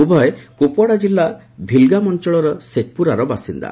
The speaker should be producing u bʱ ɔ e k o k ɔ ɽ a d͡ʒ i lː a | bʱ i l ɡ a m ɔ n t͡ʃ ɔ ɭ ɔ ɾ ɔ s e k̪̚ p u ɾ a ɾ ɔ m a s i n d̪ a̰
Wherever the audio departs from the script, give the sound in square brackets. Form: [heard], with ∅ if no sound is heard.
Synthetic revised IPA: u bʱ ɔ e k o [p] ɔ ɽ a d͡ʒ i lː a | bʱ i l ɡ a m ɔ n t͡ʃ ɔ ɭ ɔ ɾ ɔ s e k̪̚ p u ɾ a ɾ ɔ [b] a s i n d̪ a̰